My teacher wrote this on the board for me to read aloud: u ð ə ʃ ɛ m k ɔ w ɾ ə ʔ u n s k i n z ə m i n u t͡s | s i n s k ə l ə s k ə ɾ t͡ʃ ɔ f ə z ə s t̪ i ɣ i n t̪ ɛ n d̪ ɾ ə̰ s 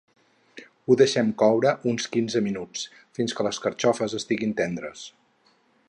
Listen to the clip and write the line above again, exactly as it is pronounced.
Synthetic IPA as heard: u ð ə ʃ ɛ m k ɔ w ɾ ə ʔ u n s k i n z ə m i n u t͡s | f i n s k ə l ə s k ə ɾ t͡ʃ ɔ f ə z ə s t̪ i ɣ i n t̪ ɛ n d̪ ɾ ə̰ s